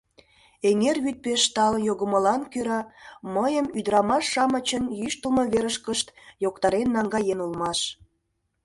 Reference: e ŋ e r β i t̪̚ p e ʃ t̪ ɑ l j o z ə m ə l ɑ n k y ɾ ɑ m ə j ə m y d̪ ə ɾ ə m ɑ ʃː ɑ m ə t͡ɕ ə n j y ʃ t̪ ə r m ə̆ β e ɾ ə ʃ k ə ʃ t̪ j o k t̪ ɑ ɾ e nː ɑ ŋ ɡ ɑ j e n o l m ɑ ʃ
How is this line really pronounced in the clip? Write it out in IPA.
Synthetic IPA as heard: e ŋ e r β y t̪̚ p e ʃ t̪ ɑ l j o ɣ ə m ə l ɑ n k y ɾ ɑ m ə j ə m y d̪ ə ɾ ɑ m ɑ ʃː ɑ m ə t͡ɕ ə n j y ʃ t̪ ə l m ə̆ β e ɾ ə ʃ k ə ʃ t̪ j o k t̪ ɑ ɾ e nː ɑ ŋ ɡ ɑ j e n u l m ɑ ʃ